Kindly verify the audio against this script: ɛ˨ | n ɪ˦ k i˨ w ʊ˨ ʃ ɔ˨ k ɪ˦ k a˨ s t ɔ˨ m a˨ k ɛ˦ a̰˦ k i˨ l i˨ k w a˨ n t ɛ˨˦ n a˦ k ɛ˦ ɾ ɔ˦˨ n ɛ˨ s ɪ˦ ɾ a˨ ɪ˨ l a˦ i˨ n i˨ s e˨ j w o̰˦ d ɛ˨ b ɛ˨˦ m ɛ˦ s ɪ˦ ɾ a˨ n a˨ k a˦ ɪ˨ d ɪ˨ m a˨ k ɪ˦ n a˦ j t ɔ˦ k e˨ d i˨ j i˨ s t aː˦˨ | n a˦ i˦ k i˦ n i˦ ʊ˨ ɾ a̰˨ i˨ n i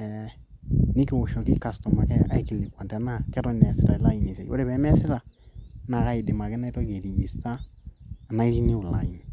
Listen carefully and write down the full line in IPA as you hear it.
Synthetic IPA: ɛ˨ | n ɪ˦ k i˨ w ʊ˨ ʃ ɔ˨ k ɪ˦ k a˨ s t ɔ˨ m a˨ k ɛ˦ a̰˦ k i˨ l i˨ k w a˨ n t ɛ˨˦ n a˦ k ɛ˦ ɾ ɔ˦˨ n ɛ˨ s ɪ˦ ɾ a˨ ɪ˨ l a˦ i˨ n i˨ s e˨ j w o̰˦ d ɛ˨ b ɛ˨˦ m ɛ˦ s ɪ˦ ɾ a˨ n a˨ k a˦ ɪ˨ d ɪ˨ m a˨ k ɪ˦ n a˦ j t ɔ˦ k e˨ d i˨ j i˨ s t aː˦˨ | n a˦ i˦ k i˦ n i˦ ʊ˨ l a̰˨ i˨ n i